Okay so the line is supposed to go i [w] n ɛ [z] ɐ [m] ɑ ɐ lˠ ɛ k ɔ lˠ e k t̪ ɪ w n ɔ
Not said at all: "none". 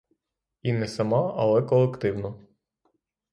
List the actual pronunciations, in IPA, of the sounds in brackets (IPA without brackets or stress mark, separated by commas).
none, s, m